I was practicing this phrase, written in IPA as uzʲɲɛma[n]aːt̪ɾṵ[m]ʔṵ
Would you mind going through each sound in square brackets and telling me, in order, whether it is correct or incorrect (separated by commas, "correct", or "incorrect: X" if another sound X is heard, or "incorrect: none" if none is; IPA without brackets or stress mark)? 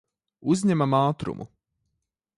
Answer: incorrect: m, correct